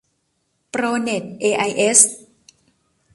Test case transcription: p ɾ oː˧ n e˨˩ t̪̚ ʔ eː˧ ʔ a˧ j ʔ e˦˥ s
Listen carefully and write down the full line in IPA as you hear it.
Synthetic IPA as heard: p ɾ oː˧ n e˨˩ t̪̚ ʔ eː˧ ʔ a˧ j ʔ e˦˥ s

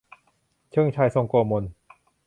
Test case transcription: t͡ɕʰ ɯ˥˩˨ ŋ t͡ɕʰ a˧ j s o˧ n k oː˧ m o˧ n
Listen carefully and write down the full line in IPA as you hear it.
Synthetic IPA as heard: t͡ɕʰ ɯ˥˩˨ ŋ t͡ɕʰ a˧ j s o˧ ŋ k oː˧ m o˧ n

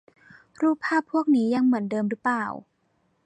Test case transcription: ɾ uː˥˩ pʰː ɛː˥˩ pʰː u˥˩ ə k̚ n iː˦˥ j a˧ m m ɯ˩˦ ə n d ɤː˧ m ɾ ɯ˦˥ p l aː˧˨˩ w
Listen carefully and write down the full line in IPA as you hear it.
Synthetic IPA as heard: ɾ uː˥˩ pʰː aː˥˩ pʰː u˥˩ ə k̚ n iː˦˥ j a˧ ŋ m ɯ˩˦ ə n d ɤː˧ m ɾ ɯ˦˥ p l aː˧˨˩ w

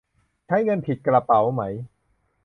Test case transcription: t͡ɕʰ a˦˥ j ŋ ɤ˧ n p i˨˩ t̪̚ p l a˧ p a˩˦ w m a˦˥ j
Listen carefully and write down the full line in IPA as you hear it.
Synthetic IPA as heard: t͡ɕʰ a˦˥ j ŋ ɤ˧ n pʰ i˨˩ t̪̚ k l a˧ p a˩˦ w m a˦˥ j

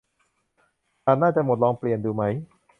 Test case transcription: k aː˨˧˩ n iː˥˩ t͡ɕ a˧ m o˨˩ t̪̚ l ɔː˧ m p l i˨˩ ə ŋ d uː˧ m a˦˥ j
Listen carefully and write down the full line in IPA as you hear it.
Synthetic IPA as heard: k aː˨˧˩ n aː˥˩ t͡ɕ a˨˩ m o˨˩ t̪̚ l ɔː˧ ŋ p l i˨˩ ə n d uː˧ m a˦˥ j

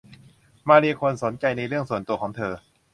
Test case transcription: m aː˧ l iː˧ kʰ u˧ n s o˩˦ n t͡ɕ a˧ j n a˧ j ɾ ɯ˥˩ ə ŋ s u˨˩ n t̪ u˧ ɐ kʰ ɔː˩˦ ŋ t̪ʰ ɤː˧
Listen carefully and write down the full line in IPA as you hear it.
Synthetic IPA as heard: m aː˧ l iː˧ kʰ o˧ n s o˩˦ n t͡ɕ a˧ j n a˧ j ɾ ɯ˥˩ ə ŋ s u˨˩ n t̪ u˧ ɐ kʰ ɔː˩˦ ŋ t̪ʰ ɤː˧

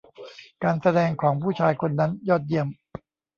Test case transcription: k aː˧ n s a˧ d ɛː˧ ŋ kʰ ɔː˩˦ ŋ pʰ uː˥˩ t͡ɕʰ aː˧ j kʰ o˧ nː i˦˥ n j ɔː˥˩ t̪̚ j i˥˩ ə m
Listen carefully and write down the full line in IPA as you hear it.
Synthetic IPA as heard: k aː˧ n s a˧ d ɛː˧ ŋ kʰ ɔː˩˦ ŋ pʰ uː˥˩ t͡ɕʰ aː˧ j kʰ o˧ nː a˦˥ n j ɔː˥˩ t̪̚ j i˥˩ ə m

